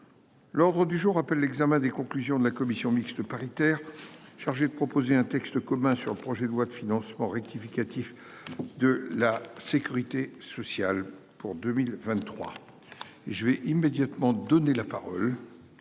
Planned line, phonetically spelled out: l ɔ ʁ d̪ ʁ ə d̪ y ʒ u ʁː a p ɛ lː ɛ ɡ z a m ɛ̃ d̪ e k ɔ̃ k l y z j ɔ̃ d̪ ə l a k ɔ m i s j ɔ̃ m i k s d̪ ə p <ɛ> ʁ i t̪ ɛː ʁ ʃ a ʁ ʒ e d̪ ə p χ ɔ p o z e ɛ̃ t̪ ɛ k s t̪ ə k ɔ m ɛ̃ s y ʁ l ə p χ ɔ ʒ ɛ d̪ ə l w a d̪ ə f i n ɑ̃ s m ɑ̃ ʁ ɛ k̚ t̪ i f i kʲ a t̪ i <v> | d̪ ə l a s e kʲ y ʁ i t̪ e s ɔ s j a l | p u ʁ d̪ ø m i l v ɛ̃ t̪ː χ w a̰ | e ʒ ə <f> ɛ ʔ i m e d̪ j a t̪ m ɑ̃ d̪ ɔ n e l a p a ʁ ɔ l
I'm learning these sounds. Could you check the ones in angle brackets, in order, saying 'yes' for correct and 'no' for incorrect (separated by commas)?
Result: no, no, no